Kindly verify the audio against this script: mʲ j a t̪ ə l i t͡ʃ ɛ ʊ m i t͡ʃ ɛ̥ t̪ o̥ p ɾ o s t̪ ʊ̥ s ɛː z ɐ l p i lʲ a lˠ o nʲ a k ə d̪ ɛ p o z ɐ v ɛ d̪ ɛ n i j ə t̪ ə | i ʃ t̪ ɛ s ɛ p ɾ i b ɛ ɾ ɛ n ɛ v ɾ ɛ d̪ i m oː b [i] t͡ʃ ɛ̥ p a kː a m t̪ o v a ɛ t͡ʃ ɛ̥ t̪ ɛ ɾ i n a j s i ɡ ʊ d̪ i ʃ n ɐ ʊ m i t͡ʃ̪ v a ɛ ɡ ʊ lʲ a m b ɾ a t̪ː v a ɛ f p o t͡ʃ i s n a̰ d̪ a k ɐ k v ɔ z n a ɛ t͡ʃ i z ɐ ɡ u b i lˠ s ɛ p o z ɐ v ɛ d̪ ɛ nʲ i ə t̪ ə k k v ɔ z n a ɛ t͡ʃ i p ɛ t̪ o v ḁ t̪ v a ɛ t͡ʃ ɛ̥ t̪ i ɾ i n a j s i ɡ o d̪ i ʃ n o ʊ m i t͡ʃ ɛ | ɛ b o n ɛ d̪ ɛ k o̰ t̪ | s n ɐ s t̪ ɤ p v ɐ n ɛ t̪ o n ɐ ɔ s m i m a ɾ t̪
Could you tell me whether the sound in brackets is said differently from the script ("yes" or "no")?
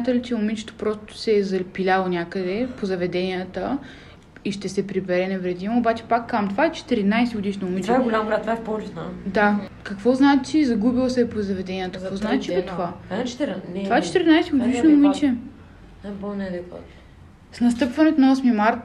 yes